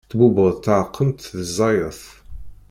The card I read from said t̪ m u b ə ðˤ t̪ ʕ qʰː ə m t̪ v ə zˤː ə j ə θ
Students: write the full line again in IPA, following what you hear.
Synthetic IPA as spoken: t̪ b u b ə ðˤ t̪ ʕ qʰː ə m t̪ ð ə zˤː ɑ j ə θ